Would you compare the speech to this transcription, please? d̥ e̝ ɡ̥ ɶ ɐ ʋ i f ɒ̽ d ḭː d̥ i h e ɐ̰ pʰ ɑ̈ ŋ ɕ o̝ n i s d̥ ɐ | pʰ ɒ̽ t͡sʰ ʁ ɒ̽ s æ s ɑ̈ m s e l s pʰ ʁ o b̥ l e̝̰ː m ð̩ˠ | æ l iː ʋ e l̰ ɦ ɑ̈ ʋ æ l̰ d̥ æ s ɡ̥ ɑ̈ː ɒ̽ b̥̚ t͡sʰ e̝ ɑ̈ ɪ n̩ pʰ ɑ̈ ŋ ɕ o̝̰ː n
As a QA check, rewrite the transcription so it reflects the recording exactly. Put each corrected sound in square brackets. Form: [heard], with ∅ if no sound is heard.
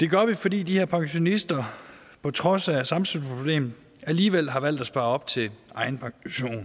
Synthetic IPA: d̥ e̝ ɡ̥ ɶ ɐ ʋ i f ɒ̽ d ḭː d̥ i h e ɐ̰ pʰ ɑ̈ ŋ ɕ o̝ n i s d̥ ɐ | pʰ ɒ̽ t͡sʰ ʁ ɒ̽ s æ s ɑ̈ m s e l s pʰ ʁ o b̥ l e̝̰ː m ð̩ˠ | æ l iː ʋ e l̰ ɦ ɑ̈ ʋ æ l̰ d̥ æ s [b̥] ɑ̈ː ɒ̽ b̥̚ t͡sʰ e̝ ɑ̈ ɪ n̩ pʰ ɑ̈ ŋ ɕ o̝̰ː n